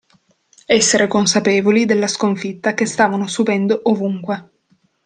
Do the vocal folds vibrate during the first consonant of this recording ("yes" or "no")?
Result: no